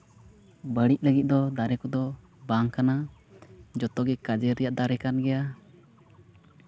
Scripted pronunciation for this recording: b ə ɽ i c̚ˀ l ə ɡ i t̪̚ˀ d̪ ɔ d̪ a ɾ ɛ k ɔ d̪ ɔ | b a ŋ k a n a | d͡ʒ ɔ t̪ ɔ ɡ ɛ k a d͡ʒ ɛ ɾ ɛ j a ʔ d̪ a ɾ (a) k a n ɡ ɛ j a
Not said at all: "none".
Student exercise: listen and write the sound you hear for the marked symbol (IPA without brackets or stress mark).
ɛ